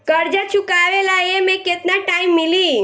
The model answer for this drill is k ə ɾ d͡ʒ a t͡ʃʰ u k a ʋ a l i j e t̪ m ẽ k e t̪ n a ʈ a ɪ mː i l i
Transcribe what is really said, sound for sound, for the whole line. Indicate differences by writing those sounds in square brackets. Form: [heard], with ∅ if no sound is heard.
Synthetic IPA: k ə ɾ d͡ʒ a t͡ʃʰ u k a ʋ [e] l [a] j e [∅] m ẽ k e t̪ n a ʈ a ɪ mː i l i